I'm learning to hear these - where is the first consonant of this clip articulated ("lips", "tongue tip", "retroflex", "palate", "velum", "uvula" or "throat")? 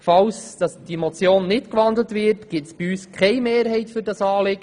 lips